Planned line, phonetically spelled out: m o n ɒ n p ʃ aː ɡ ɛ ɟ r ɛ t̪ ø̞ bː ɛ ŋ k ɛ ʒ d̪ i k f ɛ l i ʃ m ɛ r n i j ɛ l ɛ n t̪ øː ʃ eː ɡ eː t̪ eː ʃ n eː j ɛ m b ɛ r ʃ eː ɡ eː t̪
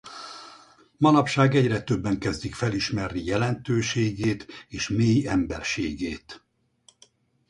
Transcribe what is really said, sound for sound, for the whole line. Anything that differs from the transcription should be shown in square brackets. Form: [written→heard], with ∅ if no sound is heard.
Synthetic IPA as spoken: m [o→ɒ] n ɒ [n→∅] p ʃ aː ɡ ɛ ɟ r ɛ t̪ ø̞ bː ɛ ŋ k ɛ [ʒ→z] d̪ i k f ɛ l i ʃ m ɛ r n i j ɛ l ɛ n t̪ øː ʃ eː ɡ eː t̪ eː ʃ [n→m] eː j ɛ m b ɛ r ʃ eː ɡ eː t̪